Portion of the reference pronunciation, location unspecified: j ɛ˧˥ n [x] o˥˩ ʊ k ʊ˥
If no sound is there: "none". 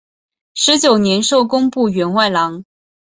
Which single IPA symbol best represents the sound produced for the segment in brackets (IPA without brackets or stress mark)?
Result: ʂ